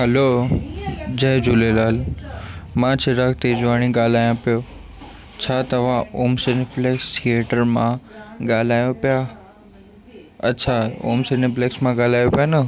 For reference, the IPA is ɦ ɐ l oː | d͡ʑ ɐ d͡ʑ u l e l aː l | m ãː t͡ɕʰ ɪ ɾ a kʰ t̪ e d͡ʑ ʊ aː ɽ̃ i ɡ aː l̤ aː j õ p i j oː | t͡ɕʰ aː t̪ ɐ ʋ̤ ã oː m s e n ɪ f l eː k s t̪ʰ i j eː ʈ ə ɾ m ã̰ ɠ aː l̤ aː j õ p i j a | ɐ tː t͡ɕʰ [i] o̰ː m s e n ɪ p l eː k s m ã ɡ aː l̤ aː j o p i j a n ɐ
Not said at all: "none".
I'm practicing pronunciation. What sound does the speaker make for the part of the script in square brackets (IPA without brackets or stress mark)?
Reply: a